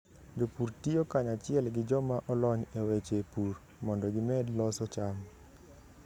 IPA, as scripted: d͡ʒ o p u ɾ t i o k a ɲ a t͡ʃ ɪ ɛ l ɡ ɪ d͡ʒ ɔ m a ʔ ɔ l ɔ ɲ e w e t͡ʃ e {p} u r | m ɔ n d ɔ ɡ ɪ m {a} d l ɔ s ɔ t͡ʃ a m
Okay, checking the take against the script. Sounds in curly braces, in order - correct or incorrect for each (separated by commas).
correct, incorrect